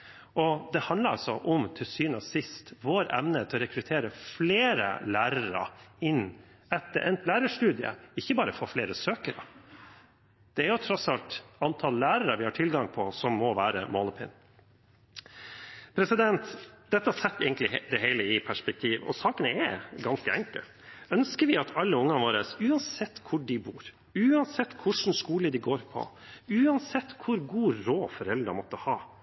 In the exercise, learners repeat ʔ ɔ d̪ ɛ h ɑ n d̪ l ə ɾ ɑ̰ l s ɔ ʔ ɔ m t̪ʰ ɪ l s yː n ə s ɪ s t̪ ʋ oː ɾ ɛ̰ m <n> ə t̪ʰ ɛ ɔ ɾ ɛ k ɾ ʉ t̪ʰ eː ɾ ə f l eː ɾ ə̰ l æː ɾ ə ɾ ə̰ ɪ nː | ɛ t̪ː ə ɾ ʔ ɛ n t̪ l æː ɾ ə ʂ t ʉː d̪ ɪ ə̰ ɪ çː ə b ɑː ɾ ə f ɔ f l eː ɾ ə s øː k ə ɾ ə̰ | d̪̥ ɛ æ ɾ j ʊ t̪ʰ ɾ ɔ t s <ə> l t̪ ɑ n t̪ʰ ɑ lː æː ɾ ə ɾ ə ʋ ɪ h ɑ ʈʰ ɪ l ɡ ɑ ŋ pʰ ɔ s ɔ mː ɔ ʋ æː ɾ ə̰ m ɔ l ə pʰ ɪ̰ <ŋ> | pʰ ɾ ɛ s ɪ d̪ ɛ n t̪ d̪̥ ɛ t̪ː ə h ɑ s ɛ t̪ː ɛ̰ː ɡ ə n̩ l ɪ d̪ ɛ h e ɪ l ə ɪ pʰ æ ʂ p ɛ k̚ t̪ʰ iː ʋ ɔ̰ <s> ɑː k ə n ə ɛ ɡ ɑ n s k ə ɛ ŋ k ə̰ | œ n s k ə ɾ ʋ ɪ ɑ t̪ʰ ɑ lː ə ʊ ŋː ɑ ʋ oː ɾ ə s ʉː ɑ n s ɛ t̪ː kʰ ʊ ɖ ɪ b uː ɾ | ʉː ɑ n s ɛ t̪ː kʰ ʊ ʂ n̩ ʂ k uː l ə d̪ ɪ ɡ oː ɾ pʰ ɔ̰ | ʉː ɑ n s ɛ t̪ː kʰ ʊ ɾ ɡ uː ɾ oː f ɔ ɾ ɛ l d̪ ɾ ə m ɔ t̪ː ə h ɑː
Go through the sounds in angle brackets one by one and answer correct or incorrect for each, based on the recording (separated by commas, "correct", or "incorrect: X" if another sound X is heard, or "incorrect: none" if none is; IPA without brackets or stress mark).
correct, incorrect: ɑ, incorrect: n, correct